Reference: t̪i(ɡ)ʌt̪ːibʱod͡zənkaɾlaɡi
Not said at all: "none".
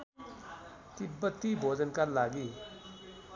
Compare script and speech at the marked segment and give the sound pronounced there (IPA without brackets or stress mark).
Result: b